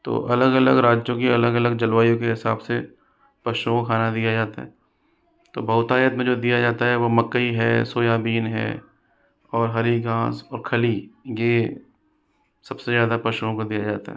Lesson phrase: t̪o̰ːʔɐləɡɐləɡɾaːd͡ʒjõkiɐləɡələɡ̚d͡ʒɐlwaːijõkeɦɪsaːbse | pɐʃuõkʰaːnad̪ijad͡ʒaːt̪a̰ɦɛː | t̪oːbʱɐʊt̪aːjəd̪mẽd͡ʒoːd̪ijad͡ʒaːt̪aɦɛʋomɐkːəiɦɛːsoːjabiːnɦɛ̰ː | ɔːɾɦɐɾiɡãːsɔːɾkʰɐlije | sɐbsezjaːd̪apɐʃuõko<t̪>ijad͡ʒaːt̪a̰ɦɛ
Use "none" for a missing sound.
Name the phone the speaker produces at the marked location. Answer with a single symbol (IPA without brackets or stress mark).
d̪